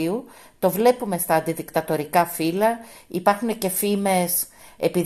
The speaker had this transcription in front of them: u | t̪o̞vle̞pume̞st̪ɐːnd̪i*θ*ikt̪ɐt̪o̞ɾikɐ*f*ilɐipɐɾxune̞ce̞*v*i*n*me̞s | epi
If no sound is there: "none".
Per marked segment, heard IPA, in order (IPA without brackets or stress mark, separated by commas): ð, f, f, none